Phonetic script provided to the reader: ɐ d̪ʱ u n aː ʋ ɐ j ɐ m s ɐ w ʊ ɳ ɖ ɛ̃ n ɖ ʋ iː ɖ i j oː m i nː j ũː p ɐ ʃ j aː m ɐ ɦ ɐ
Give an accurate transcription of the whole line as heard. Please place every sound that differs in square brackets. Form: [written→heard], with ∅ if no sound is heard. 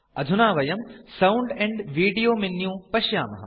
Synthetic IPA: ɐ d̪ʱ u n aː ʋ ɐ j ɐ m s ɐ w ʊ ɳ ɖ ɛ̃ [n→ɳ] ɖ ʋ iː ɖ i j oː m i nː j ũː p ɐ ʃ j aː m ɐ ɦ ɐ